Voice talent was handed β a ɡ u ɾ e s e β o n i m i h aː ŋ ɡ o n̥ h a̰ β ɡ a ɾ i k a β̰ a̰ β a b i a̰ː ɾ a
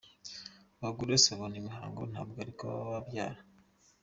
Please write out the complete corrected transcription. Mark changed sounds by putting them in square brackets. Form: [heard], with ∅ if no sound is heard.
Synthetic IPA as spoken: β a ɡ u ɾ e s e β o n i m i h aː ŋ ɡ o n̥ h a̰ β ɡ a ɾ i k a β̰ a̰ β a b [j] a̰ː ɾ a

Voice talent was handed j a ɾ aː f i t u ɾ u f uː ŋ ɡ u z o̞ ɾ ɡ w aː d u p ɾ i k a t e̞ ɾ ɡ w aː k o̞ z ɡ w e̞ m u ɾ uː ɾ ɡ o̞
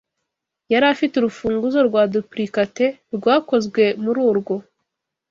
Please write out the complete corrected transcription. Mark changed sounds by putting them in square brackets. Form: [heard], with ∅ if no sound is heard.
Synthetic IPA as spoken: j a ɾ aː f i t u ɾ u f uː ŋ ɡ u z o̞ ɾ ɡ w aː d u p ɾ i k a t e̞ ɾ ɡ w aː k o̞ z ɡ w e̞ m u ɾ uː ɾ ɡ o̞

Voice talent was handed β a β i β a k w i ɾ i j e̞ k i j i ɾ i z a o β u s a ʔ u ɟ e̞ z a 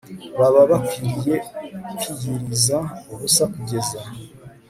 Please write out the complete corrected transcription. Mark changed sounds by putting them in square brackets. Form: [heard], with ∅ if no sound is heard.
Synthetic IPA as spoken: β a β [a] β a k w i ɾ i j e̞ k i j i ɾ i z a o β u s a [k] u ɟ e̞ z a

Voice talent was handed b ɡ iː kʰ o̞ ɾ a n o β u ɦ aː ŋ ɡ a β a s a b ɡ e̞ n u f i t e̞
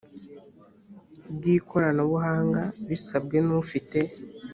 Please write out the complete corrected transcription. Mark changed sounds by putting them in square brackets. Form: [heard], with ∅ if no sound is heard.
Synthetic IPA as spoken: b ɡ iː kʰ o̞ ɾ a n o β u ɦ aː ŋ ɡ a β [i] s a b ɡ e̞ n u f i t e̞

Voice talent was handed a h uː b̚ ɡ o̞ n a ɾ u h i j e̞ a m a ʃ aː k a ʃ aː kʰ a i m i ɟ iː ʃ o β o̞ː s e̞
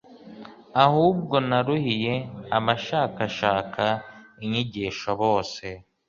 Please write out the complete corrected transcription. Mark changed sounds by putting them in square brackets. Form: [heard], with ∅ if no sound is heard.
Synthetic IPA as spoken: a h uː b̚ ɡ o̞ n a ɾ u h i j e̞ a m a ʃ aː k a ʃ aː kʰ a i [ɲ] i ɟ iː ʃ o β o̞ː s e̞

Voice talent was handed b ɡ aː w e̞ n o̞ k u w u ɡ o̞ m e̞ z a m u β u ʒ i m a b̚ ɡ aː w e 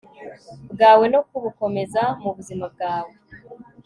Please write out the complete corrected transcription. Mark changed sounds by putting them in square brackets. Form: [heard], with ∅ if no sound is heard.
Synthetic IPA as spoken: b ɡ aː w e̞ n o̞ k u [β] u [k] o̞ m e̞ z a m u β u [z] i m a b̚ ɡ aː w e

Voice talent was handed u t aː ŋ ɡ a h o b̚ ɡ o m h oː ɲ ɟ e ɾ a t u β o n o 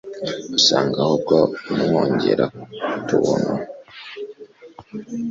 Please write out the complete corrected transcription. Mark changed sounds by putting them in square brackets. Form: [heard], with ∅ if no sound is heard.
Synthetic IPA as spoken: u [s] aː ŋ ɡ a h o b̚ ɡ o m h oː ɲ ɟ e ɾ a t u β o n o

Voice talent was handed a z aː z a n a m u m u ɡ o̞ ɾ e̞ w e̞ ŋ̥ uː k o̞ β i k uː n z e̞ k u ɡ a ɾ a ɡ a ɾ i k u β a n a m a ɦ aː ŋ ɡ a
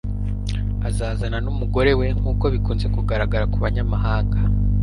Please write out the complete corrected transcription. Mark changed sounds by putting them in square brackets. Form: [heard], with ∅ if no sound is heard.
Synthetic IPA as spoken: a z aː z a n a [n] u m u ɡ o̞ ɾ e̞ w e̞ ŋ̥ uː k o̞ β i k uː n z e̞ k u ɡ a ɾ a ɡ a ɾ [a] k u β a [ɲ] a m a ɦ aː ŋ ɡ a

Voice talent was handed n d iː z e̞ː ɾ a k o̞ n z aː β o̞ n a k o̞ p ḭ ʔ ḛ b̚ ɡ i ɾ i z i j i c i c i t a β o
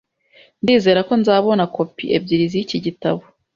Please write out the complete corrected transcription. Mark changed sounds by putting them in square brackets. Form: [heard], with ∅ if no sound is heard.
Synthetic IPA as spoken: n d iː z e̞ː ɾ a k o̞ n z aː β o̞ n a k o̞ p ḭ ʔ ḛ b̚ [ɟ] i ɾ i z i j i c i [ɟ] i t a β o

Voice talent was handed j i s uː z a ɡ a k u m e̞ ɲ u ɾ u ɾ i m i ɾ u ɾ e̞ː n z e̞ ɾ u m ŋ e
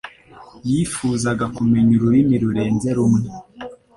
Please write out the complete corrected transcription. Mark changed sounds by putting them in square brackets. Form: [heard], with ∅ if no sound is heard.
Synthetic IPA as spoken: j i [f] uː z a ɡ a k u m e̞ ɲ u ɾ u ɾ i m i ɾ u ɾ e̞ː n z e̞ ɾ u m ŋ e

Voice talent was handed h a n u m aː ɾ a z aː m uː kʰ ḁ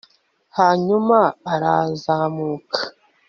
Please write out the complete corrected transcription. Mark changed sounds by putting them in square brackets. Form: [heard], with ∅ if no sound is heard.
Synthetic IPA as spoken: h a [ɲ] u m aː ɾ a z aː m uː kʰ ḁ

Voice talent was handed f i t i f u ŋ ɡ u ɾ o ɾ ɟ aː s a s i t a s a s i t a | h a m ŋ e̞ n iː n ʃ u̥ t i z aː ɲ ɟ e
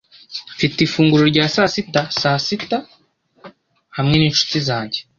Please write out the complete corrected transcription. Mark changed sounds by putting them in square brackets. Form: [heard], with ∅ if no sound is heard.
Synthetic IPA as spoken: f i t i f [uː] ŋ ɡ u ɾ o ɾ ɟ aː s a s i t a s a s i t a | h a m ŋ e̞ n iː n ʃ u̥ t i z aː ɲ ɟ e

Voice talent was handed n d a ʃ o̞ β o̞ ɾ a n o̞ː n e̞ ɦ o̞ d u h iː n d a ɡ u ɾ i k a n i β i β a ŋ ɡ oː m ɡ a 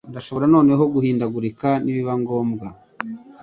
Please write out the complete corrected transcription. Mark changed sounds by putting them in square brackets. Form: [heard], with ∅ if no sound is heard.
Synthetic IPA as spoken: n d a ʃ o̞ β o̞ ɾ a n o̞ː n e̞ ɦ o̞ [ɡ] u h iː n d a ɡ u ɾ i k a n i β i β a ŋ ɡ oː m ɡ a

